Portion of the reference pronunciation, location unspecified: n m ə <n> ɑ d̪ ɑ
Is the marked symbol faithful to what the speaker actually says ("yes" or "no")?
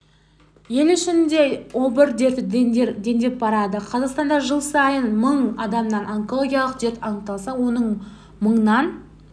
no